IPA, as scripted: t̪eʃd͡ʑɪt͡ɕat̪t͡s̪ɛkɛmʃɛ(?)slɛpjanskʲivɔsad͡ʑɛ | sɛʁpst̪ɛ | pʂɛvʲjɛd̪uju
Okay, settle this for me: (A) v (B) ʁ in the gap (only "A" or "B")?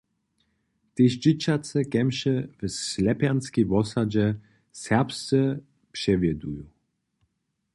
A